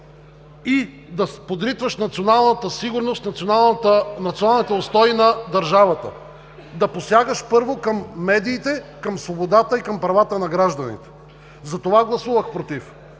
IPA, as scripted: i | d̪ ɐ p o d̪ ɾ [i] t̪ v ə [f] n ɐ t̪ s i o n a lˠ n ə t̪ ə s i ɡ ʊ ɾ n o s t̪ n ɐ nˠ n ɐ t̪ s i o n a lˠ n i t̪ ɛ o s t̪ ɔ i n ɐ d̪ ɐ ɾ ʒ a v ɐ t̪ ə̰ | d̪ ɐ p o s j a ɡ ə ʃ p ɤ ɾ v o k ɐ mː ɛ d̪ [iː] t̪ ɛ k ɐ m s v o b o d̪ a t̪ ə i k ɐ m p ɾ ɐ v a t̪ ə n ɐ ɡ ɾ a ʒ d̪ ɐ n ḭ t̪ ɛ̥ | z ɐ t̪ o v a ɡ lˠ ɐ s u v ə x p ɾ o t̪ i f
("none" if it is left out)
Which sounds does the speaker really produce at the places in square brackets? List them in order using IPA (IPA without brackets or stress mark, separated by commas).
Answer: i, ʃ, iː